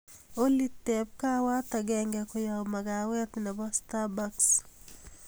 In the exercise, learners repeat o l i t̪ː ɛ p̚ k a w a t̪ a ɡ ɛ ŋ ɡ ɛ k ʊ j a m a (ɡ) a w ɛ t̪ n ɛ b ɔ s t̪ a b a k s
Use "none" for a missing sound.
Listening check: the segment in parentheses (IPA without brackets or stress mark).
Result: ɡ